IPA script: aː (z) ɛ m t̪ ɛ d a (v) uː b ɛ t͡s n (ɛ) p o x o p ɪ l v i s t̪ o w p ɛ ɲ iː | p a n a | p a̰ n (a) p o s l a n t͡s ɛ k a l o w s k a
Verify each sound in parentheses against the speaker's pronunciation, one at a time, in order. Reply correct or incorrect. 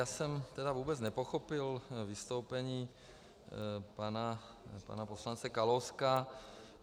incorrect: s, correct, correct, correct

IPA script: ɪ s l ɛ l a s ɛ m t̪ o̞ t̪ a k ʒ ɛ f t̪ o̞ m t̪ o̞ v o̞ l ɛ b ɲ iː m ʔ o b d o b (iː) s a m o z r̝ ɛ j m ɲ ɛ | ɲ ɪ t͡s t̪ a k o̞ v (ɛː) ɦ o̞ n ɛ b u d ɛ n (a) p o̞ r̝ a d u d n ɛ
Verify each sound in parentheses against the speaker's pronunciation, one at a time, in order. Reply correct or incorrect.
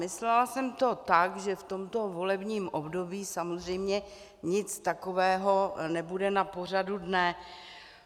correct, correct, correct

